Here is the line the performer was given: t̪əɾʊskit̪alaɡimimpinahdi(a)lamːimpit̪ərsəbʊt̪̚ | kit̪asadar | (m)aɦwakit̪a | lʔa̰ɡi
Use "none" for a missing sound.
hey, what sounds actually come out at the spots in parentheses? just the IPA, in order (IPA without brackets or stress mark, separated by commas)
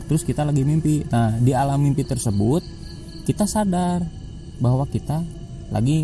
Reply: a, b